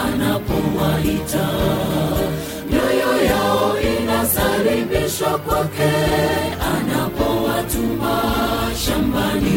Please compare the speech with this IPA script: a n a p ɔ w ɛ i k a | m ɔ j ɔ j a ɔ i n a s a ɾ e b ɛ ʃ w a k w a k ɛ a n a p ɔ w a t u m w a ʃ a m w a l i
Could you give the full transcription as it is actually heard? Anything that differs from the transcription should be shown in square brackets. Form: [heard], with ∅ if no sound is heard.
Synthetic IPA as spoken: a n a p ɔ w [a] i [t] a | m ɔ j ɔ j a ɔ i n a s a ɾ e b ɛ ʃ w a k w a k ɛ a n a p ɔ w a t u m [b] a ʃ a m [b] a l i